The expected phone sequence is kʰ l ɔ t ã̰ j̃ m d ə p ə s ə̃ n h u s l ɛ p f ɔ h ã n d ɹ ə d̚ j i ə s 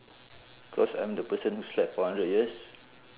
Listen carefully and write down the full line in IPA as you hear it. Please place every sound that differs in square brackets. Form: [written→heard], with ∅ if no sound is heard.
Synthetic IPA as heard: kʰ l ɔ [t→s] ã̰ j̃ m d ə p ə s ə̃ n h u s l ɛ p f ɔ h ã n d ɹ ə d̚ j i ə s